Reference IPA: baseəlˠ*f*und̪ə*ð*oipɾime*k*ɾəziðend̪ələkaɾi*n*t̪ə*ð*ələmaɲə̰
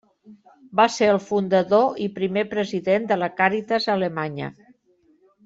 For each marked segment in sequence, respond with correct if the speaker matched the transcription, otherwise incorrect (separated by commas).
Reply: correct, correct, incorrect, incorrect, incorrect